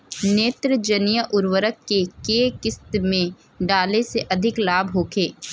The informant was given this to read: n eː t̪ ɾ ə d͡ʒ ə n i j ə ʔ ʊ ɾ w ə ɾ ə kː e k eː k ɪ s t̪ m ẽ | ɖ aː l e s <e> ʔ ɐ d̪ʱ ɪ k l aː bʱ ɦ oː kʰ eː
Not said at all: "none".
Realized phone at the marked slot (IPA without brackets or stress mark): e